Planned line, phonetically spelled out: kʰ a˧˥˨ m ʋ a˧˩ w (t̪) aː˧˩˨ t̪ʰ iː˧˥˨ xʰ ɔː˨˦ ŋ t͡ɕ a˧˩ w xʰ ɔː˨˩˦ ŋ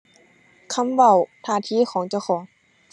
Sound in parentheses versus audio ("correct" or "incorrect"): incorrect